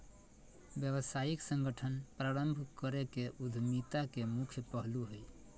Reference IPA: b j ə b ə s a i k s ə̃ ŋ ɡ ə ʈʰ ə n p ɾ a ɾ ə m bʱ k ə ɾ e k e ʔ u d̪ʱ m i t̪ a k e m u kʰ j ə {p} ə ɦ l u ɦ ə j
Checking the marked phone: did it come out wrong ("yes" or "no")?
no